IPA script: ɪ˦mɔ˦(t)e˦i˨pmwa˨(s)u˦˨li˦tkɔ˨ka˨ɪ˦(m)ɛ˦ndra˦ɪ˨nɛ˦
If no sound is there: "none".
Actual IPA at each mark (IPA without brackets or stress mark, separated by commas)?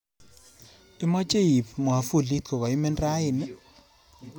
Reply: t͡ʃ, f, m